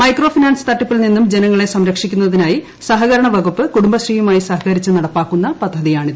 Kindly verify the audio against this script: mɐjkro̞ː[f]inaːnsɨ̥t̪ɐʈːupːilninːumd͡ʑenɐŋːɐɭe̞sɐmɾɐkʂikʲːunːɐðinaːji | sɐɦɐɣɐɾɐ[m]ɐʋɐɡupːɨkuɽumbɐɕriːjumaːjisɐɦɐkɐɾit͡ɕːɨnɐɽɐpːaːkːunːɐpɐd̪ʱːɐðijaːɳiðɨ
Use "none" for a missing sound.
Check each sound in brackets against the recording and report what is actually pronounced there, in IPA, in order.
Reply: f, ɳ

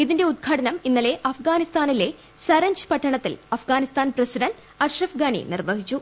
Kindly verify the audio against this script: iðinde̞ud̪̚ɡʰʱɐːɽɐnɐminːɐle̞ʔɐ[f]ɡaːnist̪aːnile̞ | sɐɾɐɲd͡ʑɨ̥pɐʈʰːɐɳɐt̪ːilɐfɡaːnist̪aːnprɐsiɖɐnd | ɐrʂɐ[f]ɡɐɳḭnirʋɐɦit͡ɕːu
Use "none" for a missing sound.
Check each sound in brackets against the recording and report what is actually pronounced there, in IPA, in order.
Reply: f, f

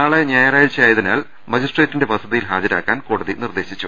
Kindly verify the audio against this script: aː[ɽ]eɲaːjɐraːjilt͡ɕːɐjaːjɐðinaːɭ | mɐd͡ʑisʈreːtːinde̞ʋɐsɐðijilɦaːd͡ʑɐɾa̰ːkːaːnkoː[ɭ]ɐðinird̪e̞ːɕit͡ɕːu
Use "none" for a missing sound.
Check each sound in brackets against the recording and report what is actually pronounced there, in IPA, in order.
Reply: ɭ, ɽ

